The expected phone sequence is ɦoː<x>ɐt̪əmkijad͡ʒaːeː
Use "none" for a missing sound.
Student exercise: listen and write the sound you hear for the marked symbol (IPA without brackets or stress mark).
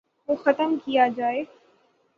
x